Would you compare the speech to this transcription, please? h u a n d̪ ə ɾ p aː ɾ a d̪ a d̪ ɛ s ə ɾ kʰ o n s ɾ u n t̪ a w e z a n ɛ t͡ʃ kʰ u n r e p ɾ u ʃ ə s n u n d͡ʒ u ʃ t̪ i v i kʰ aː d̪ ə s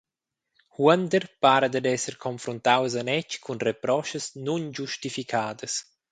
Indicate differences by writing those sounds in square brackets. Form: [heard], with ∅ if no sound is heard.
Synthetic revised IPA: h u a n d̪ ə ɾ p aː ɾ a d̪ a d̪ ɛ s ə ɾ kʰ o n [f] ɾ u n t̪ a w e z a n ɛ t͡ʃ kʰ u n r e p ɾ [ɔ] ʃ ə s n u n d͡ʒ u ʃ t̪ i [f] i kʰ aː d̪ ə s